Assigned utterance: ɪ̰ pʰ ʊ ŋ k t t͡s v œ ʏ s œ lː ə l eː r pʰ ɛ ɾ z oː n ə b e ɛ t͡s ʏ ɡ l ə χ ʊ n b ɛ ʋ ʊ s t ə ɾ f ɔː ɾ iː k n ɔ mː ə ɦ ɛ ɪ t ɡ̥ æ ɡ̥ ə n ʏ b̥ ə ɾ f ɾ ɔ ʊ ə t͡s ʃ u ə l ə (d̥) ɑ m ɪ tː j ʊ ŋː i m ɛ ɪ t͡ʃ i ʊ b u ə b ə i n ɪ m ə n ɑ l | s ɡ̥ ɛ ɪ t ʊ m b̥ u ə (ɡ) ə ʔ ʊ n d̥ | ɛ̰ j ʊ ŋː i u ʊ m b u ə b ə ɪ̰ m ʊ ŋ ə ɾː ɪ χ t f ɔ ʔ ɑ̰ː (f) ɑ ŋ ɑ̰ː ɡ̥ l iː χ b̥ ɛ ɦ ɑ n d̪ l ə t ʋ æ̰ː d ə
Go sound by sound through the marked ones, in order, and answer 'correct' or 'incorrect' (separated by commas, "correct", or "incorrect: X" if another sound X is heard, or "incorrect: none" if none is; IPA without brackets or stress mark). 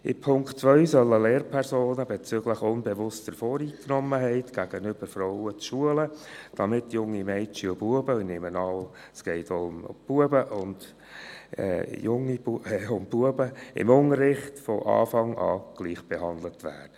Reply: correct, incorrect: b, correct